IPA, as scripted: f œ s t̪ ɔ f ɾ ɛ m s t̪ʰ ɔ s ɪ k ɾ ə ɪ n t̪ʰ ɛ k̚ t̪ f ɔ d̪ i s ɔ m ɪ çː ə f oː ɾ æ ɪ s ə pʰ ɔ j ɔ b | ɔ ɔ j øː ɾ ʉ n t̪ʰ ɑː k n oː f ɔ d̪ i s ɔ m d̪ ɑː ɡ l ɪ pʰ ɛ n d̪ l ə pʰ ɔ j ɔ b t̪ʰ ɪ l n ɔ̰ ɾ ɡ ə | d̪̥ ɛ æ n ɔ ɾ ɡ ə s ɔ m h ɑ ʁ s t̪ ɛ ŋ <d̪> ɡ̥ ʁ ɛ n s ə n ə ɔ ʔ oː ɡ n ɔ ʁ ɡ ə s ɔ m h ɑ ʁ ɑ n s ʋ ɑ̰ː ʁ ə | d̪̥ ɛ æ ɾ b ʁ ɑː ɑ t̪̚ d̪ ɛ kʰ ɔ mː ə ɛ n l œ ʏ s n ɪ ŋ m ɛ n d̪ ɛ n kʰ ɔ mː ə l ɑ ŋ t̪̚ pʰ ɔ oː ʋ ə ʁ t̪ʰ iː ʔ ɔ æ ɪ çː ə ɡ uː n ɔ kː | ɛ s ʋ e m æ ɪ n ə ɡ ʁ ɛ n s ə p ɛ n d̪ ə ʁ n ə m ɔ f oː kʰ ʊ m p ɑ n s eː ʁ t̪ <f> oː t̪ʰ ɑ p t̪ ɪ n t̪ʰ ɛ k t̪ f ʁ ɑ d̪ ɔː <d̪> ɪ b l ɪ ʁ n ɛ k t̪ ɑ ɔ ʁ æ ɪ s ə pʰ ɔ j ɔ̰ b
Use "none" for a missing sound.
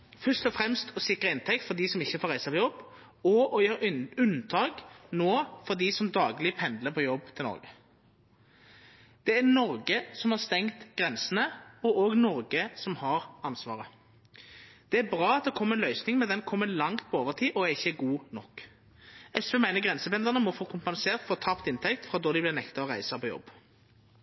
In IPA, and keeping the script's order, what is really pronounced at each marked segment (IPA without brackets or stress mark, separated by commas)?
t̪, f, d̪